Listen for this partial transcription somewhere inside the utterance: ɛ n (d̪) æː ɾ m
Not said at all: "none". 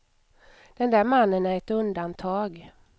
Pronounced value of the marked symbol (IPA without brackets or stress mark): d̪